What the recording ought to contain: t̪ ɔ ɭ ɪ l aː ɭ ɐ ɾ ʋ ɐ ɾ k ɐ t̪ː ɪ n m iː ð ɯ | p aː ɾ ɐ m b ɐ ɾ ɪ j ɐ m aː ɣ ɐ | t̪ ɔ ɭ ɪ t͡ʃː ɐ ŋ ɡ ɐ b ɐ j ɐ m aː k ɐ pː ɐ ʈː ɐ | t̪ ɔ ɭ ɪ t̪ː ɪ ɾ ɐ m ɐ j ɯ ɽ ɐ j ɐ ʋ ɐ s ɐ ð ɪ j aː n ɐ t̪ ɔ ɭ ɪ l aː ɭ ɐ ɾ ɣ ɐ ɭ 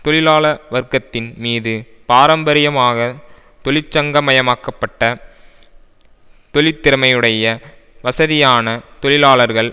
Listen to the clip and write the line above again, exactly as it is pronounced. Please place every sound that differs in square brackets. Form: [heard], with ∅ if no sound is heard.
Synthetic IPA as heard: t̪ ɔ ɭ ɪ l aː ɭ ɐ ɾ ʋ ɐ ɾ k ɐ t̪ː ɪ n m iː ð ɯ | p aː ɾ ɐ m b ɐ ɾ ɪ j ɐ m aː ɣ ɐ | t̪ ɔ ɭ ɪ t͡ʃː ɐ ŋ ɡ ɐ [m] ɐ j ɐ m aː k ɐ pː ɐ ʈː ɐ | t̪ ɔ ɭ ɪ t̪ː ɪ ɾ ɐ m ɐ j ɯ ɽ ɐ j ɐ ʋ ɐ s ɐ ð ɪ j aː n ɐ t̪ ɔ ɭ ɪ l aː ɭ ɐ ɾ ɣ ɐ ɭ

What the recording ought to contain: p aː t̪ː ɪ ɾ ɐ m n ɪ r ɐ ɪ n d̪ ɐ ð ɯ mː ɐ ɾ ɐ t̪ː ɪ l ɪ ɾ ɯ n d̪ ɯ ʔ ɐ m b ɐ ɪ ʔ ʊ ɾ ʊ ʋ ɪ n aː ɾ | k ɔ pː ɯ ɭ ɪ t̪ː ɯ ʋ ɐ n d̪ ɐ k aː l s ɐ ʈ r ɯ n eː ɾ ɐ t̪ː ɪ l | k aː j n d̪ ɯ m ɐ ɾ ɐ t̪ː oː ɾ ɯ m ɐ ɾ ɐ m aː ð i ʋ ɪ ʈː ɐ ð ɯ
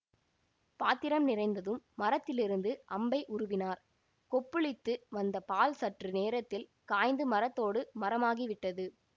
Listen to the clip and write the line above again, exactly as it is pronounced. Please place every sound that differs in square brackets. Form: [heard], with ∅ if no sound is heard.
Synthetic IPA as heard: p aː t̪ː ɪ ɾ ɐ m n ɪ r ɐ ɪ n d̪ ɐ ð ɯ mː ɐ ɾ ɐ t̪ː ɪ l ɪ ɾ ɯ n d̪ ɯ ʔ ɐ m b ɐ ɪ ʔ ʊ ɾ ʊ ʋ ɪ n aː ɾ | k ɔ pː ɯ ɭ ɪ t̪ː ɯ ʋ ɐ n d̪ ɐ [p] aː l s ɐ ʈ r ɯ n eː ɾ ɐ t̪ː ɪ l | k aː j n d̪ ɯ m ɐ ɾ ɐ t̪ː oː [ɽ] ɯ m ɐ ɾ ɐ m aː [ɣ] i ʋ ɪ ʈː ɐ ð ɯ

